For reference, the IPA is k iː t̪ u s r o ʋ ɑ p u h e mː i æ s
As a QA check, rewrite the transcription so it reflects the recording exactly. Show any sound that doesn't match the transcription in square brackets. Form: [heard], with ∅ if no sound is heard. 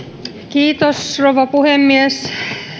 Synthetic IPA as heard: k iː t̪ [o] s r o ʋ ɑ p u h e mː i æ s